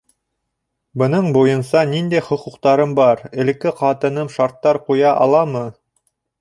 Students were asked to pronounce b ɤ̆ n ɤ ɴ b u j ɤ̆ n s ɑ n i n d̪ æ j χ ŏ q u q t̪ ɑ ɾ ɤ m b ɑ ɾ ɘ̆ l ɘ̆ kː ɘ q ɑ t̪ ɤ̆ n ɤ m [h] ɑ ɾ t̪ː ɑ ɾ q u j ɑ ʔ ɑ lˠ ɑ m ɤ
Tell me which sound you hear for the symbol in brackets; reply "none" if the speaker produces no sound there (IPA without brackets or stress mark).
ʃ